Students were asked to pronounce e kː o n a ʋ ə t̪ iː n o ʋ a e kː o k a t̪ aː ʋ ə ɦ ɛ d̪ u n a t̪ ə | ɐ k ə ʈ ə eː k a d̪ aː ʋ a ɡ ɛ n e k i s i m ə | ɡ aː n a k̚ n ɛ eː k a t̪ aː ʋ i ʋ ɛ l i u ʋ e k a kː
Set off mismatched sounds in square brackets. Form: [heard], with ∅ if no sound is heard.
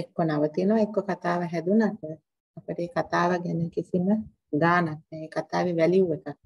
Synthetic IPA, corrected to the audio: e kː o n a ʋ ə t̪ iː n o ʋ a e kː o k a t̪ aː ʋ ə ɦ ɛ d̪ u n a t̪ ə | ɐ [p] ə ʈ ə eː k a [t̪] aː ʋ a ɡ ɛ n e k i s i m ə | ɡ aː n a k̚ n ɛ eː k a t̪ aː ʋ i ʋ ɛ l i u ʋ e k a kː